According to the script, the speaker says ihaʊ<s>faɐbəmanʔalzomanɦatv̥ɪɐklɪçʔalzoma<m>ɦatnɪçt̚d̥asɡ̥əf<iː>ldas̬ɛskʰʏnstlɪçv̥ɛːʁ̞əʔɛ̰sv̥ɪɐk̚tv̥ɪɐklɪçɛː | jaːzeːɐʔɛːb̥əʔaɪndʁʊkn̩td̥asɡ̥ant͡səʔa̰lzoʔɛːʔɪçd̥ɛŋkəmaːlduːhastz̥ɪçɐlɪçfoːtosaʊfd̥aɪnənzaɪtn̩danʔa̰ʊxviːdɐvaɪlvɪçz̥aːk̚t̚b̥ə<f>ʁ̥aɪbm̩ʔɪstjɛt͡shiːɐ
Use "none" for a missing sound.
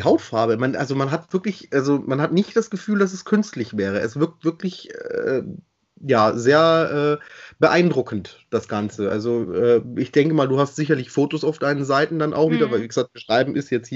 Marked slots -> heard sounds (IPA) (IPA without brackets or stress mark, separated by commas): t, n, yː, ʃ